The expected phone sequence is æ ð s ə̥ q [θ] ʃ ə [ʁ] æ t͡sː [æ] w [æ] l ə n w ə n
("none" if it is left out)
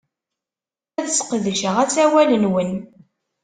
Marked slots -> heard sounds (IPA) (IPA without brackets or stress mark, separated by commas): ð, ʁ, æ, æ